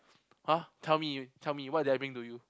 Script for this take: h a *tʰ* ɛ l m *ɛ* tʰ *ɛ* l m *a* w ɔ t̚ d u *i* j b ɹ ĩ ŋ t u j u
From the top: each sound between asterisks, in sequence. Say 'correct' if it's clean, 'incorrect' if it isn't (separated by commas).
correct, incorrect, correct, incorrect, incorrect